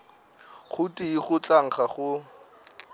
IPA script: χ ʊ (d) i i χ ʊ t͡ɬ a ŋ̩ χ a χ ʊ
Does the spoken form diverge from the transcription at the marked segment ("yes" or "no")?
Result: yes